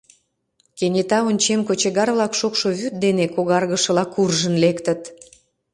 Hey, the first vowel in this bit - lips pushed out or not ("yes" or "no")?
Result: no